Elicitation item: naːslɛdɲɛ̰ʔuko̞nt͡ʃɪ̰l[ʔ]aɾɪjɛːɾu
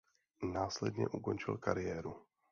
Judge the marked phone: incorrect: k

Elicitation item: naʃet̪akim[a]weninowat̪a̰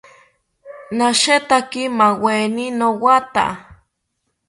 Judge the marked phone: correct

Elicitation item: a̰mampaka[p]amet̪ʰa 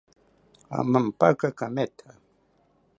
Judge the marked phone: incorrect: k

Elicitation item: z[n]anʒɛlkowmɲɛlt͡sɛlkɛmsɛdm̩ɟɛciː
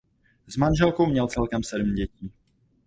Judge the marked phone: incorrect: m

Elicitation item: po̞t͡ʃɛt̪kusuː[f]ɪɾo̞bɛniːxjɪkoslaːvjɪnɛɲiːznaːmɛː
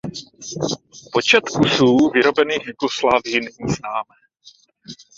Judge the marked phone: incorrect: v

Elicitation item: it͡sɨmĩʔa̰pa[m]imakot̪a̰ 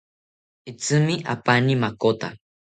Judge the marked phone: incorrect: n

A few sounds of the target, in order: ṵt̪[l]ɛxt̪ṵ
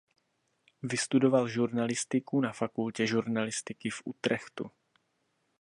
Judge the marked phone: incorrect: ɾ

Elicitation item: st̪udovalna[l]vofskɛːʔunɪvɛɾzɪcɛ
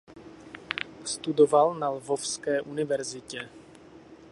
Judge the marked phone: correct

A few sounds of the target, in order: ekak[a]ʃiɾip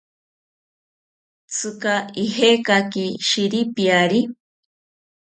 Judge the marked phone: incorrect: i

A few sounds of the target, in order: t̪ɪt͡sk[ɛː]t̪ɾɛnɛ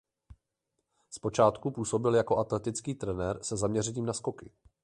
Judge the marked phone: incorrect: iː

